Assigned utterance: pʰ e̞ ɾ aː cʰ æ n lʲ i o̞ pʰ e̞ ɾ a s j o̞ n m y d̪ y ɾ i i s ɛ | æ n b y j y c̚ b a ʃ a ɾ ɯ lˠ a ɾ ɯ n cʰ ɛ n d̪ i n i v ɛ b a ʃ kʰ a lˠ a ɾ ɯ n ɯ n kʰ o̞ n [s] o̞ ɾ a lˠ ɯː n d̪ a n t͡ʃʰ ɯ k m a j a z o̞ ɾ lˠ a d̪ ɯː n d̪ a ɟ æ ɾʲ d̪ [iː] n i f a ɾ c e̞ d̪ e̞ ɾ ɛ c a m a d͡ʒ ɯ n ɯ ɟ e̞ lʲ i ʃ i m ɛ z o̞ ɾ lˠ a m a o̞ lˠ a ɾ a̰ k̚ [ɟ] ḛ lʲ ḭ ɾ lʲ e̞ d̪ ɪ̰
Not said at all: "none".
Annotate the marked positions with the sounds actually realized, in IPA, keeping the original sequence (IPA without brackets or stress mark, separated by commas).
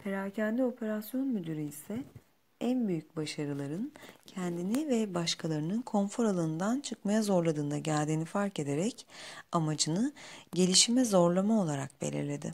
f, iː, b